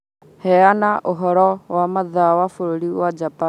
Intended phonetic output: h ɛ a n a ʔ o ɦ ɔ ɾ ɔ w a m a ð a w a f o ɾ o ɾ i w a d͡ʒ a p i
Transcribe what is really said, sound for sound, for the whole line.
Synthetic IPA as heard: h ɛ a n a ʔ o ɦ ɔ ɾ ɔ w a m a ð a w a f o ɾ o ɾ i w a d͡ʒ a p a